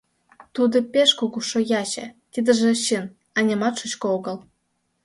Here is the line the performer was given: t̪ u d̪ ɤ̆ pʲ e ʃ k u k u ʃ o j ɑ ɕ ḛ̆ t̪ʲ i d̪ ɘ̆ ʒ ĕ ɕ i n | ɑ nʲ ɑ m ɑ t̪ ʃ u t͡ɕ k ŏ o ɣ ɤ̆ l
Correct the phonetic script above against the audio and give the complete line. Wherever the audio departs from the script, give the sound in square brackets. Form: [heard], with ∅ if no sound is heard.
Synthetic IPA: t̪ u d̪ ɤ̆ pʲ e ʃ k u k u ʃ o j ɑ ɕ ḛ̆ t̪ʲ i d̪ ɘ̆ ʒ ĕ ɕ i n | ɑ nʲ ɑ m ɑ t̪ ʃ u t͡ɕ k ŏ o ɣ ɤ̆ l